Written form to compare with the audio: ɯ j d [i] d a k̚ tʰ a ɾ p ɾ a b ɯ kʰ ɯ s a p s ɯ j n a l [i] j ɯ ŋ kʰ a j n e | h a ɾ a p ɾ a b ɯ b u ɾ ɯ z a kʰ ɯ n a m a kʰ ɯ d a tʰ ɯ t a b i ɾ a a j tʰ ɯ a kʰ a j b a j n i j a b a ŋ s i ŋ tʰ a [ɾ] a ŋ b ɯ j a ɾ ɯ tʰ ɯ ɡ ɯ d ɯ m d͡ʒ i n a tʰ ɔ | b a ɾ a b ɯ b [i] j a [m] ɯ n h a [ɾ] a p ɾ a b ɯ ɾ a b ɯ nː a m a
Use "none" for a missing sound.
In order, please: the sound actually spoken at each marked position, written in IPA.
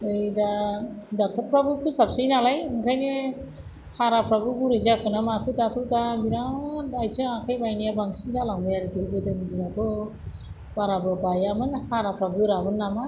a, a, l, a, m, ɾ

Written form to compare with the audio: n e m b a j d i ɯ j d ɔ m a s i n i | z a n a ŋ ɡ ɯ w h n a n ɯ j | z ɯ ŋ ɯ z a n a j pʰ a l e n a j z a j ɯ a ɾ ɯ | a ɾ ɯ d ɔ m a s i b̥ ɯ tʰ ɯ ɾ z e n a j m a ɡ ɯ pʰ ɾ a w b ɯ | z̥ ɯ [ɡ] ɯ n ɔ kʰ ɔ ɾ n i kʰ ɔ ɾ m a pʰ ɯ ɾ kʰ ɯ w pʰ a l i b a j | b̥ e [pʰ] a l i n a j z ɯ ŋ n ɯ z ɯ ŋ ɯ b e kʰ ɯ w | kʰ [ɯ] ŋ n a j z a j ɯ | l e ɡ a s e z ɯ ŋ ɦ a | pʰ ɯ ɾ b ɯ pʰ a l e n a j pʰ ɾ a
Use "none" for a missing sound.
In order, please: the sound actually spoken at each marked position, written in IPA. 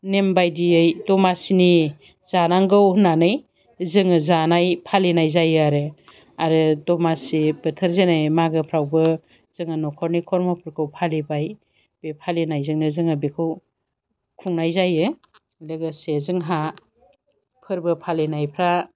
ŋ, pʰ, u

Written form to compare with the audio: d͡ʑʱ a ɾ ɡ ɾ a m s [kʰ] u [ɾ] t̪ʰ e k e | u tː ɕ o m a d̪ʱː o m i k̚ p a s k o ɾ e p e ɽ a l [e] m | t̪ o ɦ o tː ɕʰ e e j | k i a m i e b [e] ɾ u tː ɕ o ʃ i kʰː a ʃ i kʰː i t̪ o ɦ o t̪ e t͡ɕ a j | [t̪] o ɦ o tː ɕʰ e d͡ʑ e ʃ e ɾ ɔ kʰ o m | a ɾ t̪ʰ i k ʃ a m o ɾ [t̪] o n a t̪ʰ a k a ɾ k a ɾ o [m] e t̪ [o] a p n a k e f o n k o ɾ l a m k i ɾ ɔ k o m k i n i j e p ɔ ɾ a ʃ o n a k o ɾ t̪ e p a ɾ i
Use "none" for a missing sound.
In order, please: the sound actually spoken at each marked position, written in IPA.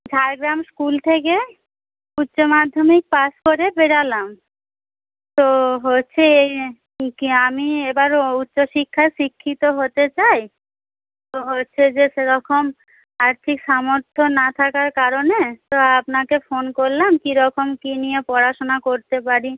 k, l, a, a, t̪, t̪ʰ, n, o

